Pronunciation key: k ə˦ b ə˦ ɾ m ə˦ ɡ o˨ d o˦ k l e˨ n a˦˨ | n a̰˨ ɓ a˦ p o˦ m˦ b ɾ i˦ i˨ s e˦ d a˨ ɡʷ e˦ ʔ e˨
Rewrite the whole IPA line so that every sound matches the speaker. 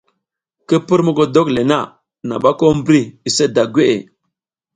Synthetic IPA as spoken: k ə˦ p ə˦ ɾ m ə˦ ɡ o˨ d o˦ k l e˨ n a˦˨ | n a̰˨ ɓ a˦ k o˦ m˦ b ɾ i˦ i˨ s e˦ d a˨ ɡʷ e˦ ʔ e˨